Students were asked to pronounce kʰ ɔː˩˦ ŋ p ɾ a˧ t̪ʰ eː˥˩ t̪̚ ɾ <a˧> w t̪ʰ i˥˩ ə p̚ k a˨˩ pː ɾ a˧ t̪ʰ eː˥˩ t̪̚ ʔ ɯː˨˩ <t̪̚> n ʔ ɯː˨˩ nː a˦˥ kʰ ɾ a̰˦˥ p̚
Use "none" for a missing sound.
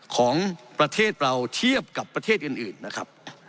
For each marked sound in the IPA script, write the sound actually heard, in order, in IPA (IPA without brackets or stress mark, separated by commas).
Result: a˧, none